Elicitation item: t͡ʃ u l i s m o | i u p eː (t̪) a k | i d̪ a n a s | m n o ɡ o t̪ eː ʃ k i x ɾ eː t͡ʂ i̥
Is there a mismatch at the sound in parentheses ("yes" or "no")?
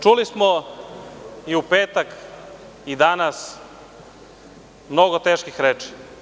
no